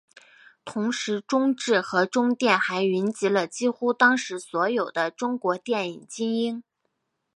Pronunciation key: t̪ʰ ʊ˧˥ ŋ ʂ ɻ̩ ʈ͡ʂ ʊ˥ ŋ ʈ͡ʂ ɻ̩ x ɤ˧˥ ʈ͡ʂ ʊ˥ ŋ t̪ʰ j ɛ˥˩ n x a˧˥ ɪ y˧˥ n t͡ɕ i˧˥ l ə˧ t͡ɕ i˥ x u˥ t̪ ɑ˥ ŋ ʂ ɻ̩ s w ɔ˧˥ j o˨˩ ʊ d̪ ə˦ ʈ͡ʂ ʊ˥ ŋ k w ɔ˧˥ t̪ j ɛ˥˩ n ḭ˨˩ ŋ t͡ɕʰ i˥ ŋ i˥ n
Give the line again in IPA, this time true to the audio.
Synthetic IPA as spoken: t̪ʰ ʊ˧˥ ŋ ʂ ɻ̩ ʈ͡ʂ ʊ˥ ŋ ʈ͡ʂ ɻ̩ x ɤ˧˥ ʈ͡ʂ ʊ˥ ŋ t̪ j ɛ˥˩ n x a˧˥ ɪ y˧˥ n t͡ɕ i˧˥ l ə˧ t͡ɕ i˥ x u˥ t̪ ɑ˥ ŋ ʂ ɻ̩ s w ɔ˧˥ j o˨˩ ʊ d̪ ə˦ ʈ͡ʂ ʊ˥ ŋ k w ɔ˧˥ t̪ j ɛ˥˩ n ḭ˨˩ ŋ t͡ɕ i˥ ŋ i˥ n